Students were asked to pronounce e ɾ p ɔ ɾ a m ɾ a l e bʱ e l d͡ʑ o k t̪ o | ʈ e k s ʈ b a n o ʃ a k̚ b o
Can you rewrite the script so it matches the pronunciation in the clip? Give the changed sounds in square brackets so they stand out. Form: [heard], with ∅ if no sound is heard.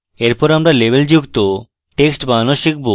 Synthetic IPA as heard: e ɾ p ɔ ɾ a m ɾ a l e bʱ e l d͡ʑ [u] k t̪ o | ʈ e k s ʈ b a n o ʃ [i] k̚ b o